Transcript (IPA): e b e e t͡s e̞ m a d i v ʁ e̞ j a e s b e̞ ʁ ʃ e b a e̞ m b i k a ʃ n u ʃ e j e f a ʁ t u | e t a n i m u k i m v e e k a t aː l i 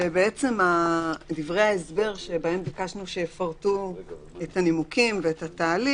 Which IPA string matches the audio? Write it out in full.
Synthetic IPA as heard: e b e e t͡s e̞ m a d i v ʁ e̞ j a e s b e̞ ʁ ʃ e b a e̞ m b i k a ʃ n u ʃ e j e f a ʁ t u | e t a n i m u k i m v e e t a t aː l i